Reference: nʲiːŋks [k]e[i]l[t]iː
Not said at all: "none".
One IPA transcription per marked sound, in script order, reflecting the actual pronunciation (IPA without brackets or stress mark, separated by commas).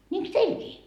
t, i, k